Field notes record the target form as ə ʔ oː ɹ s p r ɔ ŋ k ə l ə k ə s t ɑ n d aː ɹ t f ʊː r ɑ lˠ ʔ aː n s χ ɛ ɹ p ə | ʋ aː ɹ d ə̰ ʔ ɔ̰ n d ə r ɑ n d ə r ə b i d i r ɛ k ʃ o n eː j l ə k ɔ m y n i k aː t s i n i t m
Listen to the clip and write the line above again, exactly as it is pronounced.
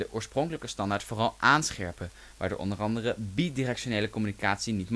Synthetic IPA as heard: ə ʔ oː ɹ s p r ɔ ŋ k ə l ə k ə s t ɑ n d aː ɹ t f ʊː r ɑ lˠ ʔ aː n s χ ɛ ɹ p ə | ʋ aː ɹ d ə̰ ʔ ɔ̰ n d ə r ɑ n d ə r ə b i d i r ɛ k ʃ o n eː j l ə k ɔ m y n i k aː t s i n i t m